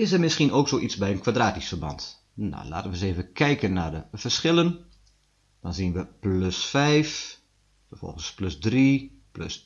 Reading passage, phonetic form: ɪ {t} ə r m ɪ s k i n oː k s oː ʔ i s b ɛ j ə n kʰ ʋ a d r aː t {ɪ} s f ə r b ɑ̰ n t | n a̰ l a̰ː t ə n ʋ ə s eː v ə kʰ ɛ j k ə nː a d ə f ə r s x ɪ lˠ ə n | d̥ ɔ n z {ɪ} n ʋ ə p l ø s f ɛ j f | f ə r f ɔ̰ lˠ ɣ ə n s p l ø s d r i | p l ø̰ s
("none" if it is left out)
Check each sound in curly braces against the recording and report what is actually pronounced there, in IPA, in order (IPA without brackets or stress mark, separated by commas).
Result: s, i, i